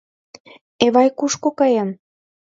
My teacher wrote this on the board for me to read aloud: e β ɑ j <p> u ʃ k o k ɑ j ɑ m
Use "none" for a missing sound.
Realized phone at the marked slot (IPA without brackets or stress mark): k